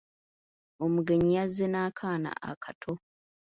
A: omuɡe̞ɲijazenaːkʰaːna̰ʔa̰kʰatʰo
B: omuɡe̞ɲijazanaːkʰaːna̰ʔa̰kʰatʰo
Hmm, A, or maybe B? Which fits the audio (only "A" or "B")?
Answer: A